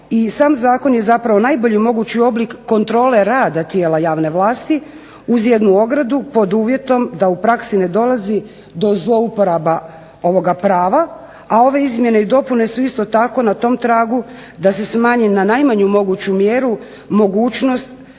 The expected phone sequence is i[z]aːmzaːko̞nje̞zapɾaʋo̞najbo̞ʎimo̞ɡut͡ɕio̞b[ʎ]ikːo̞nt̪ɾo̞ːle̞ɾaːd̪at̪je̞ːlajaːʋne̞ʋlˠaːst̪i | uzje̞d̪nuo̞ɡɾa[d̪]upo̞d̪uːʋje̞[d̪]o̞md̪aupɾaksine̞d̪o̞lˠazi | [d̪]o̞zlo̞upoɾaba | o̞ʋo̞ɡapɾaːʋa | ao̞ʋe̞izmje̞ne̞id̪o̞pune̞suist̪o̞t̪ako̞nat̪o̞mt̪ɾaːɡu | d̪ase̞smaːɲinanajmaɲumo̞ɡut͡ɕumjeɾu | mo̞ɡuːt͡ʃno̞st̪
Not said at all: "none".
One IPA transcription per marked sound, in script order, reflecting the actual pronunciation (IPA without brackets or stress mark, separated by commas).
s, l, d̪, t̪, d̪